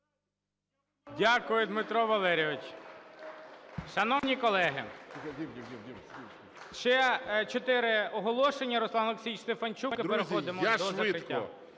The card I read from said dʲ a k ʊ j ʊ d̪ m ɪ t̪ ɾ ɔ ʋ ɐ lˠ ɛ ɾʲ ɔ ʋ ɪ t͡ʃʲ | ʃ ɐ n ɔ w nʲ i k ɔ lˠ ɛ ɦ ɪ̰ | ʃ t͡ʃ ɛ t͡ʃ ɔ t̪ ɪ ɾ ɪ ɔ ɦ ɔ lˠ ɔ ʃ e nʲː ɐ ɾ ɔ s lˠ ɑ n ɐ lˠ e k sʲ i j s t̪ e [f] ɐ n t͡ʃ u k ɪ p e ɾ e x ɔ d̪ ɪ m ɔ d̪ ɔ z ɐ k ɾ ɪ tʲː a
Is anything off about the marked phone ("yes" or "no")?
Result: no